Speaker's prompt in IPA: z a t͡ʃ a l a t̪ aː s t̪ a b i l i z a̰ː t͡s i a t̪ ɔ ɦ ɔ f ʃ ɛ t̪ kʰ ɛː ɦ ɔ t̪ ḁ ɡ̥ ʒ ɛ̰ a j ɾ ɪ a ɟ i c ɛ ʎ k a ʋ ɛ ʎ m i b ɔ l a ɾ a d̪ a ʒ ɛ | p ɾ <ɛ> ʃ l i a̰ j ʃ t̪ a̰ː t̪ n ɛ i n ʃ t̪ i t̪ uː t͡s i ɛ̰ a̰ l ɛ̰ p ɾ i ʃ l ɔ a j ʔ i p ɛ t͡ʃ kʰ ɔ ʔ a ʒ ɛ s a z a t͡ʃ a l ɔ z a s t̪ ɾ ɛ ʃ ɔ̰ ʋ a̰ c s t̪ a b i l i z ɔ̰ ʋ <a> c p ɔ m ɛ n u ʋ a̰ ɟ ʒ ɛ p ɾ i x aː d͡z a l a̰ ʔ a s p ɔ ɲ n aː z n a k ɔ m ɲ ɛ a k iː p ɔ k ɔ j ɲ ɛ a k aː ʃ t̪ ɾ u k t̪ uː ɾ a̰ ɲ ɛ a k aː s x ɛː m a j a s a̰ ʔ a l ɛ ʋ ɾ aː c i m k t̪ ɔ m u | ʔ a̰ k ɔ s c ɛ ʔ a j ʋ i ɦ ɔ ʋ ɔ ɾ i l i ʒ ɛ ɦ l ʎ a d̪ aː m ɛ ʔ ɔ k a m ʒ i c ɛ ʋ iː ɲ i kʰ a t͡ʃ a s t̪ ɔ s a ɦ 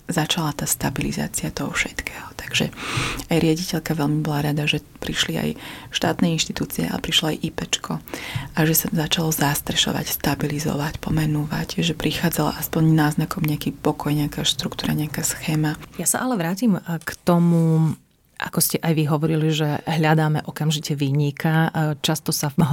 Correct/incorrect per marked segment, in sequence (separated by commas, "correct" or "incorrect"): incorrect, correct